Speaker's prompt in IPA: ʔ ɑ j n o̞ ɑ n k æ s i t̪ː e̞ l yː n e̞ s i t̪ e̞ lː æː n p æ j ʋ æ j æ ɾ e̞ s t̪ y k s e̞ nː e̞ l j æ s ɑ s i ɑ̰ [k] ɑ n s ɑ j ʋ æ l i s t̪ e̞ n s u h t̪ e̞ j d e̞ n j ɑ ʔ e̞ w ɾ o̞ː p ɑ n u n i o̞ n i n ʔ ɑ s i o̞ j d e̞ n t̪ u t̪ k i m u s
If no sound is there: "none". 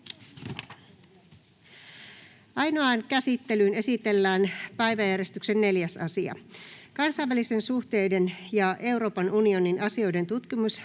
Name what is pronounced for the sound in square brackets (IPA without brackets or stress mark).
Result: k